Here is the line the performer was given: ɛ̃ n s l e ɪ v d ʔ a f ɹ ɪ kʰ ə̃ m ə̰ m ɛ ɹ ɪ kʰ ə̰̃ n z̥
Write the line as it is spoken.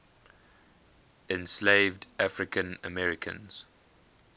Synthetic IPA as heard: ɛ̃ n s l e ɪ v d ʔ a f ɹ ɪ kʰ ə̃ n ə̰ m ɛ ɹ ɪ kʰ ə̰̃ n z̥